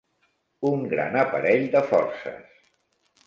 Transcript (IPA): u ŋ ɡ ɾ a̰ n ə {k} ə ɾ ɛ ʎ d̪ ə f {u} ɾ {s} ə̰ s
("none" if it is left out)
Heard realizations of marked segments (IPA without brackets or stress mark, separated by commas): p, ɔ, s